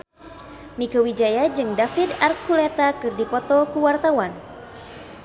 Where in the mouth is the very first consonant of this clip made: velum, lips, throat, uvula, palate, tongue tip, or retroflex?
lips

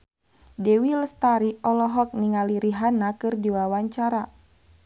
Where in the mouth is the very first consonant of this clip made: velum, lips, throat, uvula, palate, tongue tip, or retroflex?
tongue tip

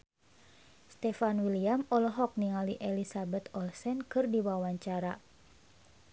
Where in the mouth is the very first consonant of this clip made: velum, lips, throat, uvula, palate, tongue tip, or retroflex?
tongue tip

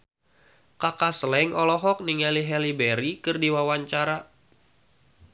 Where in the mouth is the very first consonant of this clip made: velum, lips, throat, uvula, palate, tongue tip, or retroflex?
velum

